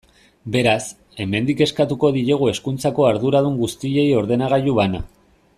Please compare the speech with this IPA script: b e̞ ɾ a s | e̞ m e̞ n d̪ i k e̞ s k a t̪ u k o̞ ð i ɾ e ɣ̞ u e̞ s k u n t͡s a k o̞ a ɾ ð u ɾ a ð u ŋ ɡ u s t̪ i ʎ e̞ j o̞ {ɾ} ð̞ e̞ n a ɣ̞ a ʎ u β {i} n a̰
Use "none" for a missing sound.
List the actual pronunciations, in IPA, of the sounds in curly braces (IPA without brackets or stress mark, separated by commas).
ɾ, a